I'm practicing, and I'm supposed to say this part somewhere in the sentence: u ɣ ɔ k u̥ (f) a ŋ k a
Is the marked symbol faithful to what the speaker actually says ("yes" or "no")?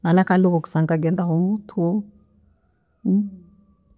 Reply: no